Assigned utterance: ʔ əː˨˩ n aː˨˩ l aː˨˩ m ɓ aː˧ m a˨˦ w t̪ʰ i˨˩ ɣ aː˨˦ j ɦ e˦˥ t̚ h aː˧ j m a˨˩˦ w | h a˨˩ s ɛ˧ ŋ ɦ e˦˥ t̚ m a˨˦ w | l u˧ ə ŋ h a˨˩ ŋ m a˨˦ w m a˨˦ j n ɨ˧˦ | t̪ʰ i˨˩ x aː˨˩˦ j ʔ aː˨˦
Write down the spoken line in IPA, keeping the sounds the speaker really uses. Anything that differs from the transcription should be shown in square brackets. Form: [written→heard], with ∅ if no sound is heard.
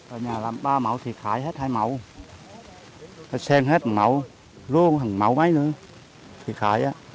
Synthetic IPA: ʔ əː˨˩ [n→ɲ] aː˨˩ l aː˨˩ m ɓ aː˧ m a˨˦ w t̪ʰ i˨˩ [ɣ→x] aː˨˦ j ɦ e˦˥ t̚ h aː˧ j m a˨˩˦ w | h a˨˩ s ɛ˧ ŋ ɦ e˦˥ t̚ m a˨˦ w | l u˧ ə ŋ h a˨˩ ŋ m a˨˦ w m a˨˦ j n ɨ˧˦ | t̪ʰ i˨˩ x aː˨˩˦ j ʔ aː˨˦